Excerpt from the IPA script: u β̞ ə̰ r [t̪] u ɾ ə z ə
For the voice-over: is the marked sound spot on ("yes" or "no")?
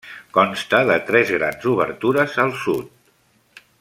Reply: yes